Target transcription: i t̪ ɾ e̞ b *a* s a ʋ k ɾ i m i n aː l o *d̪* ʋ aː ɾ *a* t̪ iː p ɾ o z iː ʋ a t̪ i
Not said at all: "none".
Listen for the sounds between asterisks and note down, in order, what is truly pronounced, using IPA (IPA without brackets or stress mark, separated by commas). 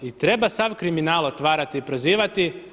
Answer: a, t̪, a